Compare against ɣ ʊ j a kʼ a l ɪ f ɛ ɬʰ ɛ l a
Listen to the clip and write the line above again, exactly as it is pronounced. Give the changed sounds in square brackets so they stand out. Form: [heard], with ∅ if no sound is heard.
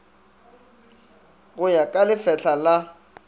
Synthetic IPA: ɣ ʊ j a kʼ a l ɪ f ɛ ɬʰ [a] l a